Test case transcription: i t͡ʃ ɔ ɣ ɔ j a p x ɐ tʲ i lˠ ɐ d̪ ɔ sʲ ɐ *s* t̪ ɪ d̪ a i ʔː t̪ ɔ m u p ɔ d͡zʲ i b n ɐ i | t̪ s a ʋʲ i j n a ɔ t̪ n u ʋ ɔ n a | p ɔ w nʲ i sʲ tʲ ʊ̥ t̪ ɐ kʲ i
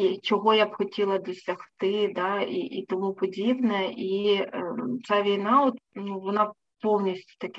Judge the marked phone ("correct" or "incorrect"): incorrect